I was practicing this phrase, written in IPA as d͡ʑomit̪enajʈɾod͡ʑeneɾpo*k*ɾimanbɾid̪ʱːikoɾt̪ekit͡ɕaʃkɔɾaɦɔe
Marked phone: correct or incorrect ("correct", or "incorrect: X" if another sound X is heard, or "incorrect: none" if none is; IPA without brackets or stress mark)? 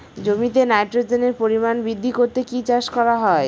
incorrect: none